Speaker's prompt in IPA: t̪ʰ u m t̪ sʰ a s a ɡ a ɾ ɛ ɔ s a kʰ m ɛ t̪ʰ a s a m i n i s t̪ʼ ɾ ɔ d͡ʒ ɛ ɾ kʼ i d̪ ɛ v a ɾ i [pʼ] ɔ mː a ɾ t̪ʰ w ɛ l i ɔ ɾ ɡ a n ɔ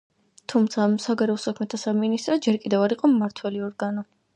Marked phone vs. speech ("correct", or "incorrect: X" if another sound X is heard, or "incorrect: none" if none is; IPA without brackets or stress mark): incorrect: qʼ